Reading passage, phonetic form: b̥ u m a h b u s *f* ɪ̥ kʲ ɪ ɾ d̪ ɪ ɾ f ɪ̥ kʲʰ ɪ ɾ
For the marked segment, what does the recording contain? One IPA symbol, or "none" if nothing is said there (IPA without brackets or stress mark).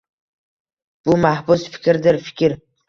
f